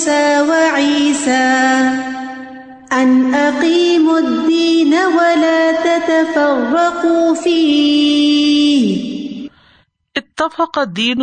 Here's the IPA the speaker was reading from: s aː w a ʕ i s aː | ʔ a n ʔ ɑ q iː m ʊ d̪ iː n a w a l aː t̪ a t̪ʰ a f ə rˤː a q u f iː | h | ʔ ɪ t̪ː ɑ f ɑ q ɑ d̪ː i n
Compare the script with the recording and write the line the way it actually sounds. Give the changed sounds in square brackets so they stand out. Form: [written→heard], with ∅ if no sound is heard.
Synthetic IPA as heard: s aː w a ʕ [i→iː] s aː | ʔ a n ʔ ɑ q iː m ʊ [d̪→d̪ː] iː n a w a l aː t̪ a [t̪ʰ→t̪] a f [ə→ɑ] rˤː [a→ɑ] q u f iː | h | ʔ ɪ t̪ː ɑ f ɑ q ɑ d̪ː [i→iː] n